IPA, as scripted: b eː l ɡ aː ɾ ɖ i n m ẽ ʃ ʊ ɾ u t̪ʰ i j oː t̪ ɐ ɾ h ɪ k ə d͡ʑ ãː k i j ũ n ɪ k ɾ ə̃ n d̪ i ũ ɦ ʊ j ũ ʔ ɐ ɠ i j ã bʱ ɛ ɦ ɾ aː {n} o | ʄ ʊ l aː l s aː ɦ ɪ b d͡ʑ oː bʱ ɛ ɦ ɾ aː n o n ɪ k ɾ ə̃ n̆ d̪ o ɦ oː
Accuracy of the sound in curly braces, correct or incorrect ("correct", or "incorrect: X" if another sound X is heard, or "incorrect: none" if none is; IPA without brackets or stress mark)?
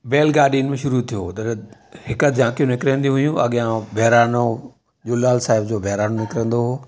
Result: correct